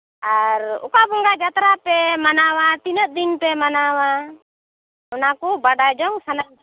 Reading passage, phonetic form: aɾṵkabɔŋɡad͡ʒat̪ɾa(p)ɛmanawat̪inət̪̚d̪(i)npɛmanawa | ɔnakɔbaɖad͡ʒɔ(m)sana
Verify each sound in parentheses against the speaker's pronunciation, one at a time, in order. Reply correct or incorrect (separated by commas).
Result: correct, correct, incorrect